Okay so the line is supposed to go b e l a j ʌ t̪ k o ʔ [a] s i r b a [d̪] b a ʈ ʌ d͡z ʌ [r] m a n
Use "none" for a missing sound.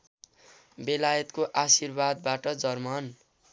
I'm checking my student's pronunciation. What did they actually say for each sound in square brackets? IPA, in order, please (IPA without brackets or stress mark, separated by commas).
a, d̪, r